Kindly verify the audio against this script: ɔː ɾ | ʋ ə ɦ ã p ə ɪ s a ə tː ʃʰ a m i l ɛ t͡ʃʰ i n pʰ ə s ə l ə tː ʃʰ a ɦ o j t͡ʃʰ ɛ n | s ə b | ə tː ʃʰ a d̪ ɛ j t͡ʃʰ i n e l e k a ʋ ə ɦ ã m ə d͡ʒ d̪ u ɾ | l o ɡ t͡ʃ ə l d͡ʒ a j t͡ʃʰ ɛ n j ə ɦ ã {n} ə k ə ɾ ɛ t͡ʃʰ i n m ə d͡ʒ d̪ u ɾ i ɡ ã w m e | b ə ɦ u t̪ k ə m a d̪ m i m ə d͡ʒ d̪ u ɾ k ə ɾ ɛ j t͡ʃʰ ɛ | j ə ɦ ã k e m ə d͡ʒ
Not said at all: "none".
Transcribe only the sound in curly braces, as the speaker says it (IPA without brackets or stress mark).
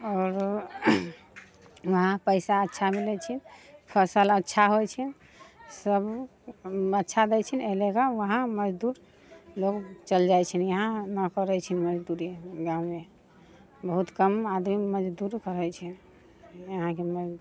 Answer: n